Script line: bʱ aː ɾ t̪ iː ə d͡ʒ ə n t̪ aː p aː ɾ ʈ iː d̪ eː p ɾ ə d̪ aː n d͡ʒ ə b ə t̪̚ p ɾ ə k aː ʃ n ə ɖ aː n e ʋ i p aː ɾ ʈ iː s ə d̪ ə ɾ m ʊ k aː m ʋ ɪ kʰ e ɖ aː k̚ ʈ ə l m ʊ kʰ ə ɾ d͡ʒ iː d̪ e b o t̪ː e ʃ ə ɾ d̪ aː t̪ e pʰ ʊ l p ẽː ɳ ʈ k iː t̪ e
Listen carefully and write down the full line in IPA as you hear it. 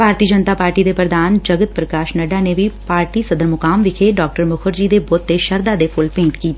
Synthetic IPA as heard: bʱ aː ɾ t̪ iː ə d͡ʒ ə n t̪ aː p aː ɾ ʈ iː d̪ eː p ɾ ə d̪ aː n d͡ʒ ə ɡ ə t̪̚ p ɾ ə k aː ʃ n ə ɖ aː n e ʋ i p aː ɾ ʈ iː s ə d̪ ə ɾ m ʊ k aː m ʋ ɪ kʰ e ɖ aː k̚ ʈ ə ɾ m ʊ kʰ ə ɾ d͡ʒ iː d̪ e b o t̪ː e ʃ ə ɾ d̪ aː d̪ e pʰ ʊ l p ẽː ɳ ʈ k iː t̪ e

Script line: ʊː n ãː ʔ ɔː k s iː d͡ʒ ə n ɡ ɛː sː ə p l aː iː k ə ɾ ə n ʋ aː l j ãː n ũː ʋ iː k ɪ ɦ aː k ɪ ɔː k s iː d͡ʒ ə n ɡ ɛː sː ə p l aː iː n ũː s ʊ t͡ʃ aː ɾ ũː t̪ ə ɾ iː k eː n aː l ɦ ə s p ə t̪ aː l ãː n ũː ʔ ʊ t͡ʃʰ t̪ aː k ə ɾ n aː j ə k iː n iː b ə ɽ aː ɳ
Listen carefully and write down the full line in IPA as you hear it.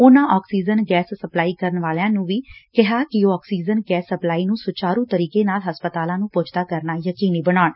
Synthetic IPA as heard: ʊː n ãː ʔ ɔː k s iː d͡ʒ ə n ɡ ɛː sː ə p l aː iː k ə ɾ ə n ʋ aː l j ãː n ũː ʋ iː k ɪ ɦ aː k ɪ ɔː k s iː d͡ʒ ə n ɡ ɛː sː ə p l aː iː n ũː s ʊ t͡ʃ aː ɾ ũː t̪ ə ɾ iː k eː n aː l ɦ ə s p ə t̪ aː l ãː n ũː p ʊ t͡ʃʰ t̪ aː k ə ɾ n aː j ə k iː n iː b ə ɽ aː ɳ

